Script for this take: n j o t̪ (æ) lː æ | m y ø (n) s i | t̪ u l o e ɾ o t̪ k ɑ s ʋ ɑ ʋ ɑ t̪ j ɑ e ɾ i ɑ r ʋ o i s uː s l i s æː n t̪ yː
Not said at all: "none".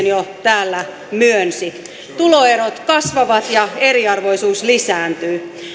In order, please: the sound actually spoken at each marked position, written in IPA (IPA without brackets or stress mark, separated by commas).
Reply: æː, n